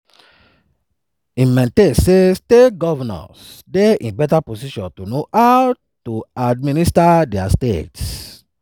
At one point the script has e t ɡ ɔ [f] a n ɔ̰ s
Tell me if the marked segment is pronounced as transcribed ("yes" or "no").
no